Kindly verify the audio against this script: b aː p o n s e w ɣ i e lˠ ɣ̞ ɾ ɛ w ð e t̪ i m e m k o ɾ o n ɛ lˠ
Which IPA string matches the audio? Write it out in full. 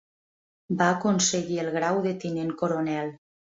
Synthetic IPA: b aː k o n s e ɣ i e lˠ ɣ̞ ɾ a w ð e t̪ i n e ŋ k o ɾ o n ɛ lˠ